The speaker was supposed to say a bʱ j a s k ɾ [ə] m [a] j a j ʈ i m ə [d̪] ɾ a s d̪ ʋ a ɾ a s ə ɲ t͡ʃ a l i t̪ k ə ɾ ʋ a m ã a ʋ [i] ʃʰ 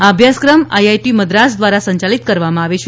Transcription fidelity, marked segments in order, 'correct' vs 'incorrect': correct, correct, correct, incorrect

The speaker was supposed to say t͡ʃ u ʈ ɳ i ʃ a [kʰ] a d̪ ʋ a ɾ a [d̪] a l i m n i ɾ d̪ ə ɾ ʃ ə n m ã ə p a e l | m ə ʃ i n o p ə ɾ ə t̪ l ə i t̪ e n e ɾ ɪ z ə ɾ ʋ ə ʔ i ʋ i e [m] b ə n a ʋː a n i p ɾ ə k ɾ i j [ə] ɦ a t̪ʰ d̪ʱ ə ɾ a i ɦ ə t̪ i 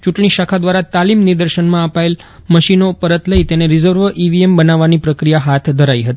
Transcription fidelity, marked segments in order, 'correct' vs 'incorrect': correct, incorrect, correct, incorrect

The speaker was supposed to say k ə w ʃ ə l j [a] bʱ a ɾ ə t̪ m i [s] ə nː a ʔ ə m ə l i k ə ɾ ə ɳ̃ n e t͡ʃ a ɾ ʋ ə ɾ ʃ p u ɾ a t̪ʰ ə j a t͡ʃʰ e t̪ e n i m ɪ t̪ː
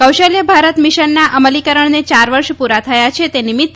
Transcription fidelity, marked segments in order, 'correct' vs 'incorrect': incorrect, incorrect

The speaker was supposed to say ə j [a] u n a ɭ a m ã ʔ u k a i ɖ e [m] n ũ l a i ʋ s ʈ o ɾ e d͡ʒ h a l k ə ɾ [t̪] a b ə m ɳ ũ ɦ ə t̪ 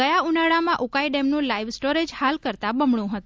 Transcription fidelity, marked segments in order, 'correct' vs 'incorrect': correct, correct, correct

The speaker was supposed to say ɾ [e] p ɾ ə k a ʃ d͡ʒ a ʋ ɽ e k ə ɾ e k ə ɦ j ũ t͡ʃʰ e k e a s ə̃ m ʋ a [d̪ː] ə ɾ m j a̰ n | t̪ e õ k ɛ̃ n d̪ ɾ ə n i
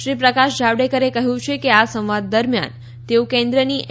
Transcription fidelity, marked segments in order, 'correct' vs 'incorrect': incorrect, correct

